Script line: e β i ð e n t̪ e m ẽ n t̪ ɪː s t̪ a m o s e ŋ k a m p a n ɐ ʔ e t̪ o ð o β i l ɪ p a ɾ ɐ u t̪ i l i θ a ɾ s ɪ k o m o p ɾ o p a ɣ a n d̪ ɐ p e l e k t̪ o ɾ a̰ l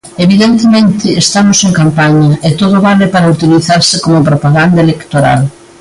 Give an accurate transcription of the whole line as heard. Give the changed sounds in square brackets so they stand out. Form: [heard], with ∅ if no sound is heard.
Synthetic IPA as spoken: e β i ð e n t̪ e m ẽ n t̪ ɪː s t̪ a m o s e ŋ k a m p a [ɲ] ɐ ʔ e t̪ o ð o β [a] l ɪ p a ɾ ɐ u t̪ i l i θ a ɾ s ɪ k o m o p ɾ o p a ɣ a n d̪ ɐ [∅] e l e k t̪ o ɾ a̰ l